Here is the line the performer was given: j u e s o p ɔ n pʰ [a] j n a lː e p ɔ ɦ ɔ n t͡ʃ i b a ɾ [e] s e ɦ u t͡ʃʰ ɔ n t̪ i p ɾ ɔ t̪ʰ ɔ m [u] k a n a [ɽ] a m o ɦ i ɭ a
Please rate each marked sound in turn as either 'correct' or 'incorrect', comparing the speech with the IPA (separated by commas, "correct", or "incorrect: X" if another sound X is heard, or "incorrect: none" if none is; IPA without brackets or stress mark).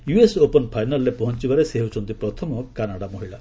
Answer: correct, correct, incorrect: ɔ, correct